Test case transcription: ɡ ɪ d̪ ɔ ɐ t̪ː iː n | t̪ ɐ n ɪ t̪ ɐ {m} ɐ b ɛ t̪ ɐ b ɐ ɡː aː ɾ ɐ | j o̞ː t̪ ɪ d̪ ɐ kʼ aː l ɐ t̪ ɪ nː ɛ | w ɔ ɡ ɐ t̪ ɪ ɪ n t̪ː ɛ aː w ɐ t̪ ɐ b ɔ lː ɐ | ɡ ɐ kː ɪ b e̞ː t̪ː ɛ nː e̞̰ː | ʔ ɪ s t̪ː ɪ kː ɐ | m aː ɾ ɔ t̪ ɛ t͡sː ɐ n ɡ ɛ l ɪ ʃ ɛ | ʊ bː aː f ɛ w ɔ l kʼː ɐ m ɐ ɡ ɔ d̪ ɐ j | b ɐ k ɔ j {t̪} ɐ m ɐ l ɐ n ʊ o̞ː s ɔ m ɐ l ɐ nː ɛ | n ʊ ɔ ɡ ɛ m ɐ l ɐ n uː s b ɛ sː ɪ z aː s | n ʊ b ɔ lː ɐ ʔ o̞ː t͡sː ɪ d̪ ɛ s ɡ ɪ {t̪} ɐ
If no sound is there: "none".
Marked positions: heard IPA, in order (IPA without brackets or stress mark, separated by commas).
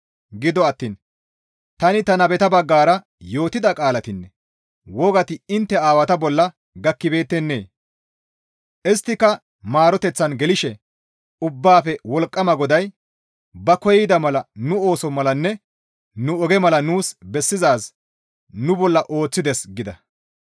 n, d̪, d̪